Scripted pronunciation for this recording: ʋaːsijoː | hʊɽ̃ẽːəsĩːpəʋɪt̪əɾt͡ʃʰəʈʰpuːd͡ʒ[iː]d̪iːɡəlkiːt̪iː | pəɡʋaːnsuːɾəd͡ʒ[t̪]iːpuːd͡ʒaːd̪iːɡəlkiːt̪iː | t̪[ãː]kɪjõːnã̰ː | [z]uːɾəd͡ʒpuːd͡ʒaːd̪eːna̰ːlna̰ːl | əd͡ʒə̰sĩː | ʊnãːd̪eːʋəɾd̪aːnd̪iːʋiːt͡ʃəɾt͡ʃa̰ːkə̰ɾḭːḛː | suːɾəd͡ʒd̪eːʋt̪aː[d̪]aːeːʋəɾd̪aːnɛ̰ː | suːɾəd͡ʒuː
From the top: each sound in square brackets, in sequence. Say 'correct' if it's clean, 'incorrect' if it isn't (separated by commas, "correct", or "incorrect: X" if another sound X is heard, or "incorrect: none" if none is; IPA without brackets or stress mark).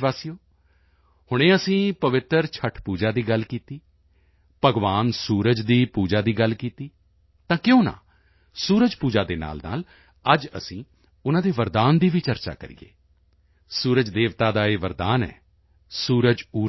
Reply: incorrect: aː, incorrect: d̪, correct, incorrect: s, correct